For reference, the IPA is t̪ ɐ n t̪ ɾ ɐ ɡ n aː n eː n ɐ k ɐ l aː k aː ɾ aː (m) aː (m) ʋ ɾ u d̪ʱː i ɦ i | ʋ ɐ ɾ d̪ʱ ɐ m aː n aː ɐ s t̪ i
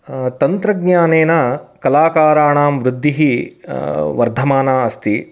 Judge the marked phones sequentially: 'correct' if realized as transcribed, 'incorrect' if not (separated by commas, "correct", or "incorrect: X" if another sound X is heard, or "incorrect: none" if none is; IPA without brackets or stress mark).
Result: incorrect: ɳ, correct